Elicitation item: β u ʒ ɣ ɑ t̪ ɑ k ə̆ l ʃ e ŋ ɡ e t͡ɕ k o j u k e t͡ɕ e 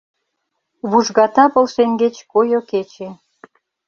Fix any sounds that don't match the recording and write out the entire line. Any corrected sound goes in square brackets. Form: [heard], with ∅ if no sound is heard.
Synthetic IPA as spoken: β u ʒ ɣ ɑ t̪ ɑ [p] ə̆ l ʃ e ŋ ɡ e t͡ɕ k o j [o] k e t͡ɕ e